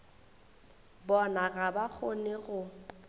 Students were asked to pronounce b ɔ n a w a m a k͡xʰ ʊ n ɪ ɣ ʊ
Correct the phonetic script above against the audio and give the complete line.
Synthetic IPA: b ɔ n a ɣ a b a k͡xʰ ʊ n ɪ ɣ ʊ